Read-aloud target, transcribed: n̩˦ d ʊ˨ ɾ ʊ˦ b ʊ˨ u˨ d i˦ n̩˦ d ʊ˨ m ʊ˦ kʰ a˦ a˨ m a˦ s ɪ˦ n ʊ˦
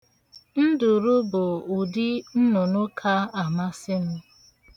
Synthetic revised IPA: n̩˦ d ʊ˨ ɾ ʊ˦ b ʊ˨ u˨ d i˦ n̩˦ n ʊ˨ n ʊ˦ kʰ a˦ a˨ m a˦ s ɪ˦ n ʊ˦